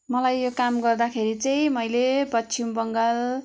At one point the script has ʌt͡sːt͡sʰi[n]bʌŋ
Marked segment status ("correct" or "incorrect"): incorrect